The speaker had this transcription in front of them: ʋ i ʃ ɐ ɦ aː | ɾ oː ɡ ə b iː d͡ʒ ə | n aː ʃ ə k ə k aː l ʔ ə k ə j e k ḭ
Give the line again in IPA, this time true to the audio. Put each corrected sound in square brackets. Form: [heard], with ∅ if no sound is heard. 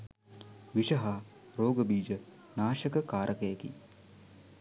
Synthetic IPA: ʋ i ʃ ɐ ɦ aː | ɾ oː ɡ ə b iː d͡ʒ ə | n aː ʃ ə k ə k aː [ɾ] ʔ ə k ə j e k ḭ